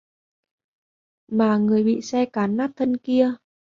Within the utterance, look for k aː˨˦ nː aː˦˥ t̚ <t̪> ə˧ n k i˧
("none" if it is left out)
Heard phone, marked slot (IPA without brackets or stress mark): t̪ʰ